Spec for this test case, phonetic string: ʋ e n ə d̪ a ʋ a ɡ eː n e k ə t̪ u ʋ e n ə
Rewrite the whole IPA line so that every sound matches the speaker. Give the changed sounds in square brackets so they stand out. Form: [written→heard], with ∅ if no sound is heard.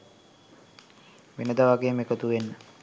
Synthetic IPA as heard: ʋ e n ə d̪ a ʋ a ɡ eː [n→m] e k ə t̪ u ʋ e [n→nː] ə